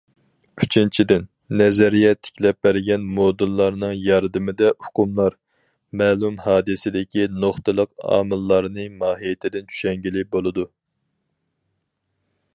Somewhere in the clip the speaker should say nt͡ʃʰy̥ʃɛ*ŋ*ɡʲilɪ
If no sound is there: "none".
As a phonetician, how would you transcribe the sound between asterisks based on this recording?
ŋ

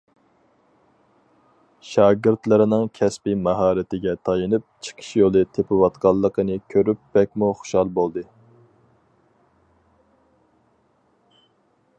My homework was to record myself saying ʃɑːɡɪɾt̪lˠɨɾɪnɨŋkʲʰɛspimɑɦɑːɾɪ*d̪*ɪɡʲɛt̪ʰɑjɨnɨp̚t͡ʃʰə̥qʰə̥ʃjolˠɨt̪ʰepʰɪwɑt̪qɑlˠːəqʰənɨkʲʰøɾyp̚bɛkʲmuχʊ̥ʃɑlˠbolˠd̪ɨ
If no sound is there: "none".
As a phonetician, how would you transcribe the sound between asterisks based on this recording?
t̪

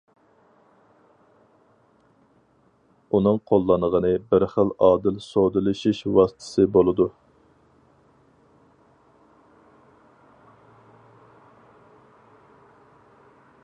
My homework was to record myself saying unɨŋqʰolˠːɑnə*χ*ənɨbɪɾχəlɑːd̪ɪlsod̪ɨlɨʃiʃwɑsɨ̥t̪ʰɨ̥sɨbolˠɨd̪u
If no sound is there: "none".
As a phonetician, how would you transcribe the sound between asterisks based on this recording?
ʁ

